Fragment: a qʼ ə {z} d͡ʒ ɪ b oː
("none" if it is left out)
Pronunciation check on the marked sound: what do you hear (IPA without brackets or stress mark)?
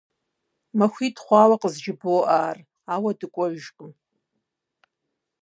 z